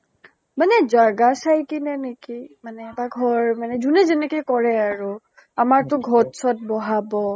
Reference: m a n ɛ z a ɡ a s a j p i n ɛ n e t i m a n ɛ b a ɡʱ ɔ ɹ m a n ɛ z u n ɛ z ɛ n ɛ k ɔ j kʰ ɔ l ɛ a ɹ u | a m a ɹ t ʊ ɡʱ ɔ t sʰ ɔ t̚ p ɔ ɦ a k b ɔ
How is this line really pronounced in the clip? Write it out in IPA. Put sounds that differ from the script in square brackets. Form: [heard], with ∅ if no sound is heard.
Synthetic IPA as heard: m a n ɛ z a ɡ a s a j [k] i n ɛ n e [k] i m a n ɛ b a ɡʱ ɔ ɹ m a n ɛ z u n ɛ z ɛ n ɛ k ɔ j [k] ɔ [ɹ] ɛ a ɹ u | a m a ɹ t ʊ ɡʱ ɔ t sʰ ɔ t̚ [b] ɔ ɦ a [∅] b ɔ